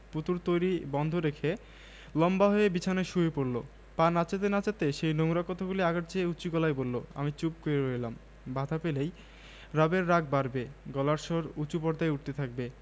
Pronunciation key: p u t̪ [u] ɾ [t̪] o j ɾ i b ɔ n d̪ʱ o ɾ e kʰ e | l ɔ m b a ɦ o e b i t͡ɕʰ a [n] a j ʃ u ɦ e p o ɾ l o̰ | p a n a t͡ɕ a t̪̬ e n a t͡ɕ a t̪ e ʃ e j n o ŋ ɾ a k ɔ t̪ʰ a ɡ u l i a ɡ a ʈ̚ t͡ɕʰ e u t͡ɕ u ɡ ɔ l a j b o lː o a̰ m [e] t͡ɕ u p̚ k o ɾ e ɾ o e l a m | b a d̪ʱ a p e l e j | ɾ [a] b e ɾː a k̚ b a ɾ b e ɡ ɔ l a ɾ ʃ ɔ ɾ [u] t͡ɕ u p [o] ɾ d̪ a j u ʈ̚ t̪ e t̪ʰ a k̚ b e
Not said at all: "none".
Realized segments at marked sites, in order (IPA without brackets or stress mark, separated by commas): u, t̪, n, i, a, u, ɔ